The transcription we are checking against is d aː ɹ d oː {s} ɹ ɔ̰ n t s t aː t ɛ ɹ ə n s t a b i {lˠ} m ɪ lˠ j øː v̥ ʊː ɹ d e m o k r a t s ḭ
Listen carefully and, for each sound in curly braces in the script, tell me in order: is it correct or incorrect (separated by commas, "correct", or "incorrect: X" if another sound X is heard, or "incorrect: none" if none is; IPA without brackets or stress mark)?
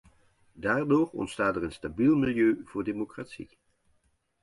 incorrect: none, correct